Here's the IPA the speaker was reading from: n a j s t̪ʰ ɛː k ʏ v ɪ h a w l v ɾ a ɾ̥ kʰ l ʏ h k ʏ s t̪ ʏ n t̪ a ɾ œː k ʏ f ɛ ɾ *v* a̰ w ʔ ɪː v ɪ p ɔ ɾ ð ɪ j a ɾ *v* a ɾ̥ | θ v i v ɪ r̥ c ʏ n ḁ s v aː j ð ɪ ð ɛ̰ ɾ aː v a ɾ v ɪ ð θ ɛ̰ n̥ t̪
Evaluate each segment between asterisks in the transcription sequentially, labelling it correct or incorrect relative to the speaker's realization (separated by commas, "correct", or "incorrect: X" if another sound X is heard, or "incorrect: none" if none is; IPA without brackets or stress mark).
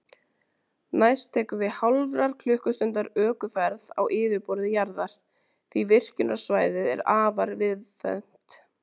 incorrect: ð, incorrect: ð